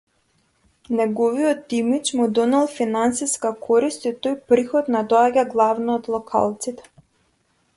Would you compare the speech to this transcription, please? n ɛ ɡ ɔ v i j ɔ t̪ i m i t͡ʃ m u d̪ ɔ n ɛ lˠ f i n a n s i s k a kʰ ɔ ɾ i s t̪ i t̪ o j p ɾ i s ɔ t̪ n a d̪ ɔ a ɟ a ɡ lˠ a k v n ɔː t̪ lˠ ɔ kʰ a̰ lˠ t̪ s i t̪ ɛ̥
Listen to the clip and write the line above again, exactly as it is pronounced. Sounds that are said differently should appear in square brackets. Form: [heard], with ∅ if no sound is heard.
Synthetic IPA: n ɛ ɡ ɔ v i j ɔ t̪ i m i t͡ʃ m u d̪ ɔ n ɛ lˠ f i n a n s i s k a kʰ ɔ ɾ i s t̪ i t̪ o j p ɾ i [x] ɔ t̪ n a d̪ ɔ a ɟ a ɡ lˠ a [∅] v n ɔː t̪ lˠ ɔ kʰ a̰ lˠ t̪ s i t̪ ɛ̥